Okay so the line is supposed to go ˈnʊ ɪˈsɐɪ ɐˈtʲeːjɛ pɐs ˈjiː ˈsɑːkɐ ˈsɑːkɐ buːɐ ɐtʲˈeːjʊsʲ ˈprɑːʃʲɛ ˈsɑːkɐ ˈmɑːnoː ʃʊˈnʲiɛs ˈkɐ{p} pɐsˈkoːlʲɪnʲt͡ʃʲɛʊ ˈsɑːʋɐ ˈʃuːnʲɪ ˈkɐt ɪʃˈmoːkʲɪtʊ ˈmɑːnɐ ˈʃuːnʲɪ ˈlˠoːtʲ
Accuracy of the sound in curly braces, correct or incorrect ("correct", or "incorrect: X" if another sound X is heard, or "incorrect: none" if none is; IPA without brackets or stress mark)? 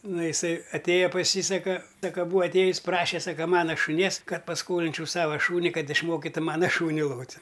incorrect: t